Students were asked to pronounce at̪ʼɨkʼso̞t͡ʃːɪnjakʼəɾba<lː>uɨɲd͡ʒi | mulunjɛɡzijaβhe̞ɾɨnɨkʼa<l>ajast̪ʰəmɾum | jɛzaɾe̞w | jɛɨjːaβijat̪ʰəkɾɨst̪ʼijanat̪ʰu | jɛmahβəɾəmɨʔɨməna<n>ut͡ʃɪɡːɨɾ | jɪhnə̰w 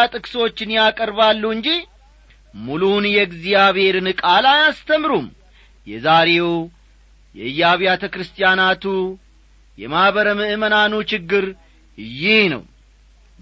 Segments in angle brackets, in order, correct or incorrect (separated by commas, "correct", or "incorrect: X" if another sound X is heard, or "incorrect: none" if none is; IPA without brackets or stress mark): correct, correct, correct